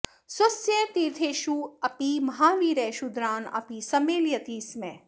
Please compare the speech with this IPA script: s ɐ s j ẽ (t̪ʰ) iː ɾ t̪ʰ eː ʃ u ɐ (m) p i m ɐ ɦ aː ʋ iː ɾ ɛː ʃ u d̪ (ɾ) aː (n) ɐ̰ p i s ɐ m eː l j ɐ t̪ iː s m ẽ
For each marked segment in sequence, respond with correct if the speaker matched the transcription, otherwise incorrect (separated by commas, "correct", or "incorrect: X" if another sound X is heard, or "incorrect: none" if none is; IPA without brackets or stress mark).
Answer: incorrect: t̪, incorrect: none, correct, correct